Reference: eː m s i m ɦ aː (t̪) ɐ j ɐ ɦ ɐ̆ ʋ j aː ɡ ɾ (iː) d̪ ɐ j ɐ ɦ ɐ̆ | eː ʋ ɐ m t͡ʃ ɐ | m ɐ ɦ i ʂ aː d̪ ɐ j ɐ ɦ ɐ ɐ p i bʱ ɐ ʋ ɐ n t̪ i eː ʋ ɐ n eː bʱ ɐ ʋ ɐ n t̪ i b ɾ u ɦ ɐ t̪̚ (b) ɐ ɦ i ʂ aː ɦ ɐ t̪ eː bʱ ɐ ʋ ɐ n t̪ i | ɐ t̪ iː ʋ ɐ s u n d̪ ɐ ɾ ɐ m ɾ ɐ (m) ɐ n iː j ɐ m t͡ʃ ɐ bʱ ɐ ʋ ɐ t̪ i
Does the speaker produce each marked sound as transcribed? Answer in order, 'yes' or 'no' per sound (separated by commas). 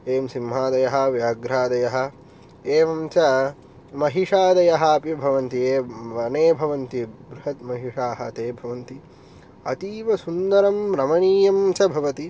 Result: no, no, no, yes